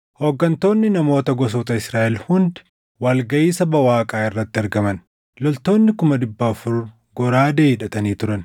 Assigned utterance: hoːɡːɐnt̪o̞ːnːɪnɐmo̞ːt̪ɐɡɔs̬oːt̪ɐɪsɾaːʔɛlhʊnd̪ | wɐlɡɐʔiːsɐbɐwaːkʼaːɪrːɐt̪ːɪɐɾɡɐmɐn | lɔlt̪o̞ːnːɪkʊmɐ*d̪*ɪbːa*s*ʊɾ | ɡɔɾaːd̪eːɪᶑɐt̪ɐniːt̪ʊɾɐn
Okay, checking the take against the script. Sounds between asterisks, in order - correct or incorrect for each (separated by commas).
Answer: correct, incorrect